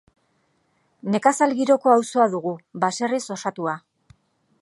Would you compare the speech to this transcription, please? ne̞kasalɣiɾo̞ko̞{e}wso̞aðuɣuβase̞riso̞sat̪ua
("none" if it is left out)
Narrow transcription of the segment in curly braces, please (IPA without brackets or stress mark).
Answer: a